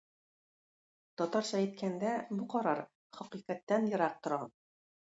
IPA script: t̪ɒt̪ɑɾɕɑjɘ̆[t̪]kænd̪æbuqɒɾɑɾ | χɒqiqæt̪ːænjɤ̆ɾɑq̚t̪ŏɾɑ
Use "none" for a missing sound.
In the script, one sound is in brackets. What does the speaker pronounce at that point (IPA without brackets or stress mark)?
t̪